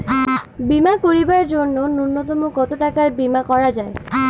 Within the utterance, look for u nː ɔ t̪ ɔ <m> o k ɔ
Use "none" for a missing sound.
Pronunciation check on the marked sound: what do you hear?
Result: m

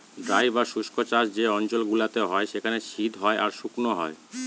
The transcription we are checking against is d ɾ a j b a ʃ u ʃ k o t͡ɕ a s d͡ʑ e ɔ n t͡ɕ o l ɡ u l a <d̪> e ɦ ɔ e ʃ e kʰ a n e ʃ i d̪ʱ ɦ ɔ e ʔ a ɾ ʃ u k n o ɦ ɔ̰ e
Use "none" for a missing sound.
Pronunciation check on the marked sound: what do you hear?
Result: t̪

